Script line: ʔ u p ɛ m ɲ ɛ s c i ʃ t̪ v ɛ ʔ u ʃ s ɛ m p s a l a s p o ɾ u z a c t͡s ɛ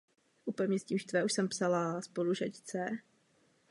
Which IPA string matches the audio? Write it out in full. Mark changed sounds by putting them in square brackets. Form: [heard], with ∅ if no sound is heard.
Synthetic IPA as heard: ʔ u p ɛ m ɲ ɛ s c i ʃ t̪ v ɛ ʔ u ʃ s ɛ m p s a l a s p o [l] u [ʒ] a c t͡s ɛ